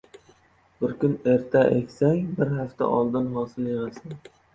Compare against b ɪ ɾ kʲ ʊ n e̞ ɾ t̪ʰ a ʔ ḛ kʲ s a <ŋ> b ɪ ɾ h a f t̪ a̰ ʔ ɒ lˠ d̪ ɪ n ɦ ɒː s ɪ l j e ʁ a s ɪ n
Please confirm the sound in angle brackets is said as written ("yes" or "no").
yes